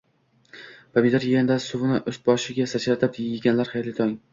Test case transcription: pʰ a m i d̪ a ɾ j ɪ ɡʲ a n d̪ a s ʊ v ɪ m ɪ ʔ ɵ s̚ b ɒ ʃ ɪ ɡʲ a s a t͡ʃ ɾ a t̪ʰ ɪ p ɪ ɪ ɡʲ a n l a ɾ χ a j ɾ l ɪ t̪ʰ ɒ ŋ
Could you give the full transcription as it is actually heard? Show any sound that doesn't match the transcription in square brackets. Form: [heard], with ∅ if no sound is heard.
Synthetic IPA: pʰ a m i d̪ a ɾ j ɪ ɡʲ a n d̪ a s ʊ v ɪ [n] ɪ ʔ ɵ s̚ b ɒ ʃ ɪ ɡʲ a s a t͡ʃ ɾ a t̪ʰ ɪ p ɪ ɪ ɡʲ a n l a ɾ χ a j ɾ l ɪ t̪ʰ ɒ ŋ